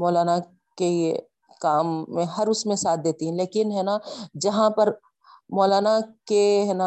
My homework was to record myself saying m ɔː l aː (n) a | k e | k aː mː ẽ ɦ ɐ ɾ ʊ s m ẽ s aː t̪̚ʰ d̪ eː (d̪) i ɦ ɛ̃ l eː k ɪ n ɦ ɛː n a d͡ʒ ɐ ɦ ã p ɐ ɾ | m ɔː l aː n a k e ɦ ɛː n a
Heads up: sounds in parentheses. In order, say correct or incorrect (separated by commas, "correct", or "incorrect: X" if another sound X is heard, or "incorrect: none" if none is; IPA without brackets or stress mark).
correct, incorrect: t̪